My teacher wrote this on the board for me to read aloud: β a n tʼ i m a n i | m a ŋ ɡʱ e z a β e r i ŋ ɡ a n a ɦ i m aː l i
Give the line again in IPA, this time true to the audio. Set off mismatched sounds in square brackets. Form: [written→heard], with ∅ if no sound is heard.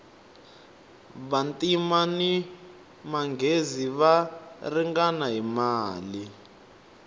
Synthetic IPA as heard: β a n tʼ i m a n i | m a ŋ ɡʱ e z [a→i] β [e→a] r i ŋ ɡ a n a ɦ i m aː l i